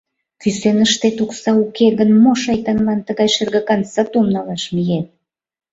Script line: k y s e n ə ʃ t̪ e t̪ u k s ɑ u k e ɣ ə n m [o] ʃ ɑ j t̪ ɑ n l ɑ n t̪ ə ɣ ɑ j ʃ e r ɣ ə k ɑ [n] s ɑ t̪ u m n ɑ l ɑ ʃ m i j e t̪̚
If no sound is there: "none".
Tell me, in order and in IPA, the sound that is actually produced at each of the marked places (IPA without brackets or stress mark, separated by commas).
o, n